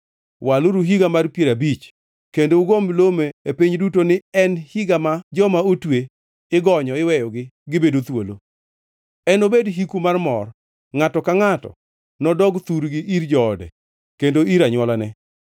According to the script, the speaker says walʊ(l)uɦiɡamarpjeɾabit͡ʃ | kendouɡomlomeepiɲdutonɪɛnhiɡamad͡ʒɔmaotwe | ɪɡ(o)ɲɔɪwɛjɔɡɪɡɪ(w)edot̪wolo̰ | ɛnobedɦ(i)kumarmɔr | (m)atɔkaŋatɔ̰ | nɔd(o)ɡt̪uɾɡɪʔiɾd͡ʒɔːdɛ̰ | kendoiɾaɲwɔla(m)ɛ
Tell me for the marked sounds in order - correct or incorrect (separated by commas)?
incorrect, incorrect, incorrect, correct, incorrect, incorrect, incorrect